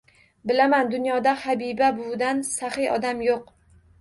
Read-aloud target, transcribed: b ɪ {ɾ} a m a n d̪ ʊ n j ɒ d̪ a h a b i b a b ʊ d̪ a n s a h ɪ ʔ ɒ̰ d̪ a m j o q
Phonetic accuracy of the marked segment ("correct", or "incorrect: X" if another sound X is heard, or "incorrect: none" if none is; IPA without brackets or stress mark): incorrect: l